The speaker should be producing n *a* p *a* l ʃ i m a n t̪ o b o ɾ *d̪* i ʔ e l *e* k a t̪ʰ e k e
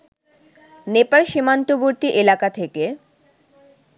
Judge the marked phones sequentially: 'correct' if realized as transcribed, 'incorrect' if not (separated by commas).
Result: incorrect, correct, incorrect, incorrect